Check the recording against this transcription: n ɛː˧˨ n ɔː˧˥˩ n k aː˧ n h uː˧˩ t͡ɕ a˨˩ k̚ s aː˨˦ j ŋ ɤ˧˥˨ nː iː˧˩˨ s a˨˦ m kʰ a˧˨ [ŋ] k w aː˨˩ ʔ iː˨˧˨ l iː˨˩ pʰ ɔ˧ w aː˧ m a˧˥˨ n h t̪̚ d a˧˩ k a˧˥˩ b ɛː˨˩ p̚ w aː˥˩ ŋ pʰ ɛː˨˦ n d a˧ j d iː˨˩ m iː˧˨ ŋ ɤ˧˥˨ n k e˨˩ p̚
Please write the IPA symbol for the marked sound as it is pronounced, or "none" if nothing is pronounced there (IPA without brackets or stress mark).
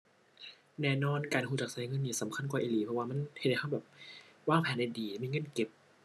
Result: n